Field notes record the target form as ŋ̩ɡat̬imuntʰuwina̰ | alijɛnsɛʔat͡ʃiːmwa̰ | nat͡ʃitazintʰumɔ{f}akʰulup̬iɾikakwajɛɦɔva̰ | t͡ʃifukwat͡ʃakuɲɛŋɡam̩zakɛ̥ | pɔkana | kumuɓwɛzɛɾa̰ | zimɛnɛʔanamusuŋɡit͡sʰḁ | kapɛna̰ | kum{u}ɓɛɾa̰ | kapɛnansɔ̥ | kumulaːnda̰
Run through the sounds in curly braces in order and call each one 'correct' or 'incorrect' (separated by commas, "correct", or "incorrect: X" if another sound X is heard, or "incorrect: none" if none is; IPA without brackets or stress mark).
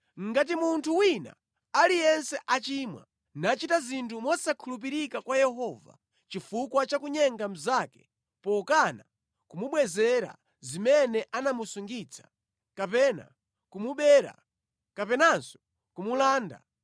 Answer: incorrect: s, correct